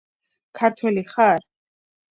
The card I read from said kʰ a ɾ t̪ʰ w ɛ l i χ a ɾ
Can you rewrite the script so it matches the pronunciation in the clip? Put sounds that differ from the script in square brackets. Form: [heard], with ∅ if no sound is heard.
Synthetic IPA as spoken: kʰ a ɾ t̪ʰ w ɛ l i χ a ɾ